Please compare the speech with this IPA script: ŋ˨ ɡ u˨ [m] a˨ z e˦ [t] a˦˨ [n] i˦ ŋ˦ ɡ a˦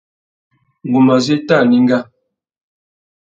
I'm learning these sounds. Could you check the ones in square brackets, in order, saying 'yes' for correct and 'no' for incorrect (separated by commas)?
yes, yes, yes